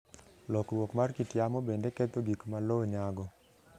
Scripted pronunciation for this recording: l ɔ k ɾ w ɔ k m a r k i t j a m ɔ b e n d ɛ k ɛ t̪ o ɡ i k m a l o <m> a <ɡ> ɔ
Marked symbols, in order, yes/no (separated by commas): no, yes